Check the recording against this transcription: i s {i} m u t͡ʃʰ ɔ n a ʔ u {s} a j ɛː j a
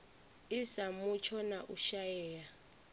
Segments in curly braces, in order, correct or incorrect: incorrect: a, incorrect: ʃ

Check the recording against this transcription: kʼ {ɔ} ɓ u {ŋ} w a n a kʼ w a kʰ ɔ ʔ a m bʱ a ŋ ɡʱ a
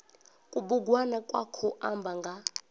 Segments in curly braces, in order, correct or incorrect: incorrect: u, incorrect: ɡ

